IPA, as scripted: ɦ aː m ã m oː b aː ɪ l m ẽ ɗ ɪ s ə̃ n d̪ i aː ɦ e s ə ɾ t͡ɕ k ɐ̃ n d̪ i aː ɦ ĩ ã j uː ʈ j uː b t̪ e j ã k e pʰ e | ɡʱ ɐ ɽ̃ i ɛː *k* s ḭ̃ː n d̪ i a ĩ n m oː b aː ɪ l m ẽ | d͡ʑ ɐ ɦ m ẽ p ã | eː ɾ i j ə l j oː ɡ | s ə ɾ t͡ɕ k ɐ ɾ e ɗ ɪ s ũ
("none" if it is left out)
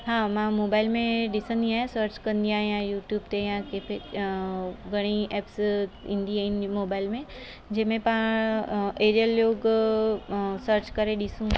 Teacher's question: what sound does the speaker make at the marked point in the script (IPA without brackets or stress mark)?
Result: p